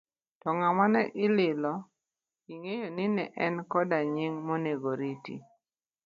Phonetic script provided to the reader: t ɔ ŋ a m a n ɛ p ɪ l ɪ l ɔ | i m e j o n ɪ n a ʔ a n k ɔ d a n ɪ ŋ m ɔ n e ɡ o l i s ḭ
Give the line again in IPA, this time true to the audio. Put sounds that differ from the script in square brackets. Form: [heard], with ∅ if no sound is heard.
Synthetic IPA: t ɔ ŋ a m a n ɛ [ʔ] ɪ l ɪ l ɔ | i [ŋ] e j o n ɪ n [ɛ] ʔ [ɛ] n k ɔ d a [ɲ] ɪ ŋ m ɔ n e ɡ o [ɾ] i [t] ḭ